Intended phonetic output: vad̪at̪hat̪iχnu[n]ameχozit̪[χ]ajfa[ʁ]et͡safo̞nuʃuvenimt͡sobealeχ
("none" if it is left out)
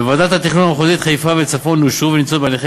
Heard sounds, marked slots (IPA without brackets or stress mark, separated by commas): n, χ, v